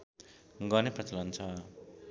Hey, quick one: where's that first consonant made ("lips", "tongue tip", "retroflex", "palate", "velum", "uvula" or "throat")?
velum